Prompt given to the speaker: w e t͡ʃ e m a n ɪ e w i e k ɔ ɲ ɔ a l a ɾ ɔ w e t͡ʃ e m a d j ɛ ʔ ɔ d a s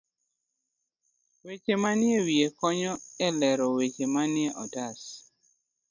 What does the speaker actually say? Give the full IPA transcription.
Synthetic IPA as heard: w e t͡ʃ e m a n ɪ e w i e k ɔ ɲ ɔ ɛ l ɛ ɾ ɔ w e t͡ʃ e m a n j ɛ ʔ ɔ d a s